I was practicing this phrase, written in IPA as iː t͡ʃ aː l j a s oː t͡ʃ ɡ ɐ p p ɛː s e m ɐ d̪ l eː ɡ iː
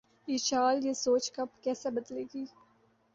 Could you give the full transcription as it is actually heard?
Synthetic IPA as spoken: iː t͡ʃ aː l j e s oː t͡ʃ k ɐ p k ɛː s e b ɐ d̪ l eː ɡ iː